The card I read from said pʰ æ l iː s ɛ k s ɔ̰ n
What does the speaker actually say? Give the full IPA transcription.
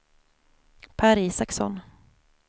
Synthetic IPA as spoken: pʰ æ ɾ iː s a k s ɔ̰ n